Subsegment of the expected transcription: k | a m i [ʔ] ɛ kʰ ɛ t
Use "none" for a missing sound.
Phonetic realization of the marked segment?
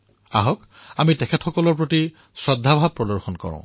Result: t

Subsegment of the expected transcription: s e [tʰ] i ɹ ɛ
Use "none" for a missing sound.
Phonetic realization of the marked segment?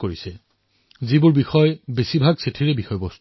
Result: tʰ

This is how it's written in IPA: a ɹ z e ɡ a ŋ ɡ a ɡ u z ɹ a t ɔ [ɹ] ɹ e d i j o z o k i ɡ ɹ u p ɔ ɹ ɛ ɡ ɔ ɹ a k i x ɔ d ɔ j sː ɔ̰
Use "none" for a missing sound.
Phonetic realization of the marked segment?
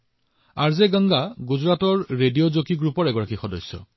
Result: ɹ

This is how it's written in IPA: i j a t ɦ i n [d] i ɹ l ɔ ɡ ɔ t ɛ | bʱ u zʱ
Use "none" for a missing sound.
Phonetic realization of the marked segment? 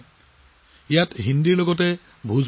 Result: d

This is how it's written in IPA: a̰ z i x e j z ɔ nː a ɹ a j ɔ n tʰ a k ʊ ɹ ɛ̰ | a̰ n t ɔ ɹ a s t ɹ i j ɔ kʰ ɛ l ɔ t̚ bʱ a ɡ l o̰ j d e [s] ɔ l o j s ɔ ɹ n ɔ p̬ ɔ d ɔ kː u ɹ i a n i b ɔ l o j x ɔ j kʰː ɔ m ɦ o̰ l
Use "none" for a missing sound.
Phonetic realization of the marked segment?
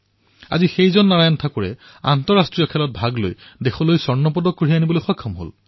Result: x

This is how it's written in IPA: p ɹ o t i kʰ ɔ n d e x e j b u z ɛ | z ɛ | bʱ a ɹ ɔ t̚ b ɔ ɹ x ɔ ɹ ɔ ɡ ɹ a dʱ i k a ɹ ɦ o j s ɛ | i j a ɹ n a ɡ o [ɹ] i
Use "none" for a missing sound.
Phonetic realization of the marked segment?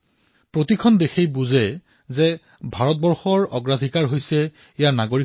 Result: ɹ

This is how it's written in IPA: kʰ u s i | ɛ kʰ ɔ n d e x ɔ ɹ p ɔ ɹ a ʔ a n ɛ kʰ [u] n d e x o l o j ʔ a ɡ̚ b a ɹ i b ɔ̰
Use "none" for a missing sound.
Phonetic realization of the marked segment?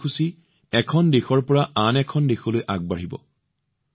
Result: ɔ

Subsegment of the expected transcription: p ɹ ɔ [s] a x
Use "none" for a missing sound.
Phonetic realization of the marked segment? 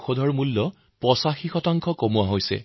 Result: s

